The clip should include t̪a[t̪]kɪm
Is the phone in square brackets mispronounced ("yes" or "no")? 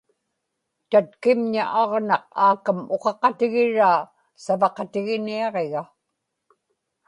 no